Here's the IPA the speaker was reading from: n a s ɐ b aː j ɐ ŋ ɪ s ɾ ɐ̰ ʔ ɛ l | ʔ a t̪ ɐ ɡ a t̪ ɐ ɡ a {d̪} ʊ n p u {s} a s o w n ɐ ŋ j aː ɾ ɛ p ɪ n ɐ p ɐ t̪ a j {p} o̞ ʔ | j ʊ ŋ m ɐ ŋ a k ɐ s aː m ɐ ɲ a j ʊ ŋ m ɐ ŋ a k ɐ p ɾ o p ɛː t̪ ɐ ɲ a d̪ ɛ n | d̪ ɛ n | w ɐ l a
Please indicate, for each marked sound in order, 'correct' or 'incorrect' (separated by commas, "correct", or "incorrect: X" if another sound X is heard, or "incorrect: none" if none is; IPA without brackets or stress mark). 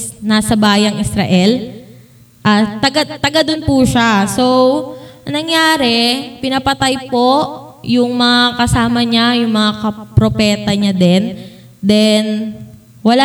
correct, incorrect: ʃ, correct